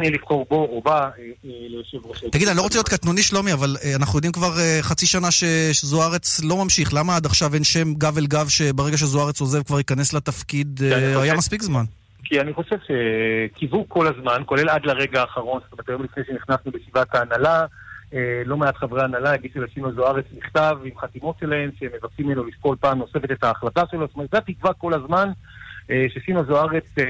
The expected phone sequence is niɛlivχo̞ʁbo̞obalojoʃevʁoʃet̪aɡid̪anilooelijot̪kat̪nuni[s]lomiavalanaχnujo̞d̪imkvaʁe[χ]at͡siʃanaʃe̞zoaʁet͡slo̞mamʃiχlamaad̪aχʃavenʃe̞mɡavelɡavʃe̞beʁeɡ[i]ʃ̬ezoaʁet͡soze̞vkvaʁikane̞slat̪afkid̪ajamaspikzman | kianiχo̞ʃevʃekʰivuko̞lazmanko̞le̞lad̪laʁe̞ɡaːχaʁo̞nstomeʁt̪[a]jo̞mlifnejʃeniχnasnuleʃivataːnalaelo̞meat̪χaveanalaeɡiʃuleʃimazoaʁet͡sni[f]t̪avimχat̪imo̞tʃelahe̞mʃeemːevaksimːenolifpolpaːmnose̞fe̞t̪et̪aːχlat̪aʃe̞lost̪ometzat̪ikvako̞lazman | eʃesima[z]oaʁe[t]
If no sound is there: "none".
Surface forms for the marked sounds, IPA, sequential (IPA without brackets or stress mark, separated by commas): ʃ, χ, a, a, χ, z, t͡s